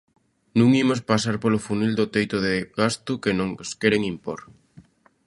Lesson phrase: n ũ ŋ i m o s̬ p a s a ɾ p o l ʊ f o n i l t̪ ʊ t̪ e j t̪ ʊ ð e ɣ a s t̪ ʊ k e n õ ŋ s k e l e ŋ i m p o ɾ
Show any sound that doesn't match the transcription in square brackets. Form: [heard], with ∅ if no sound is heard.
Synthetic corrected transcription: n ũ ŋ i m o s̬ p a s a ɾ p o l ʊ f [u] n i l [d̪] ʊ t̪ e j t̪ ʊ ð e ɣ a s t̪ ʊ k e n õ ŋ s k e [ɾ] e ŋ i m p o ɾ